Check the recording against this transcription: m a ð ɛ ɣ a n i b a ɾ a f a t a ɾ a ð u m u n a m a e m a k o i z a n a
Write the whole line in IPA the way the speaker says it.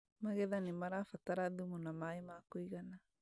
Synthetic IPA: m a ɣ ɛ ð a n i m a ɾ a f a t a ɾ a ð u m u n a m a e m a k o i ɣ a n a

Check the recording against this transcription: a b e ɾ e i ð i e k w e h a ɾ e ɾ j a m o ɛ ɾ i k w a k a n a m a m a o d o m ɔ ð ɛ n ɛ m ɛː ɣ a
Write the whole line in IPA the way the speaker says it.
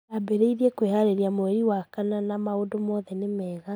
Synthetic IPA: a b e ɾ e i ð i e k w e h a ɾ e ɾ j a m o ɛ ɾ i w a k a n a n a m a o d o m ɔ ð ɛ n e m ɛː ɣ a

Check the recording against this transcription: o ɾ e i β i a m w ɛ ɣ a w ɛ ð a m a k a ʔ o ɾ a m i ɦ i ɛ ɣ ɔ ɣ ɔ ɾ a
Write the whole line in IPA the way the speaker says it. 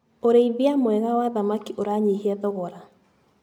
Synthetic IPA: o ɾ e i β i a m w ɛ ɣ a w a ð a m a k i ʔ o ɾ a ɲ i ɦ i ɛ ð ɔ ɣ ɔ ɾ a

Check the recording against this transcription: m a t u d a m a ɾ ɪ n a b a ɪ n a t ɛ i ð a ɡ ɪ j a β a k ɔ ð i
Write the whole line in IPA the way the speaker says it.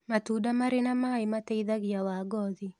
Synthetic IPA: m a t u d a m a ɾ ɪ n a m a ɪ m a t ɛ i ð a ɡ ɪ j a w a ɡ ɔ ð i

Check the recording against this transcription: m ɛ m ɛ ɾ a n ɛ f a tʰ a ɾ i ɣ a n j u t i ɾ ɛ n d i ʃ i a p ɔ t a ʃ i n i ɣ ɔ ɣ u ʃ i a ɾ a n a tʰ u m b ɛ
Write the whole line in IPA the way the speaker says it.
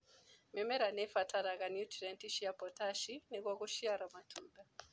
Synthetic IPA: m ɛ m ɛ ɾ a n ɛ f a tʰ a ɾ a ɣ a n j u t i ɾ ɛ n t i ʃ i a p ɔ t a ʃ i n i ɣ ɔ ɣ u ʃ i a ɾ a m a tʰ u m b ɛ

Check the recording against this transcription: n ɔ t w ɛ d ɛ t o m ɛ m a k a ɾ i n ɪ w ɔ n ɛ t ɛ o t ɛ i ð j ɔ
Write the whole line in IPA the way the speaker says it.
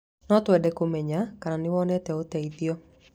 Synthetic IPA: n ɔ t w ɛ d ɛ k o m ɛ ɲ a k a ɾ a n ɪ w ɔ n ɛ t ɛ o t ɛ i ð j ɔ

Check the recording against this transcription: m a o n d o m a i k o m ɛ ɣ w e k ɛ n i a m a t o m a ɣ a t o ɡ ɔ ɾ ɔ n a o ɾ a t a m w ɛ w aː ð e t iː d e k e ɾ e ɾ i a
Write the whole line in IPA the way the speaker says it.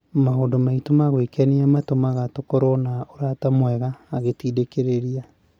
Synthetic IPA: m a o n d o m a i t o m a ɣ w e k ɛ n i a m a t o m a ɣ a t o k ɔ ɾ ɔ n a o ɾ a t a m w ɛ ɣ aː ɣ e t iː d e k e ɾ e ɾ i a

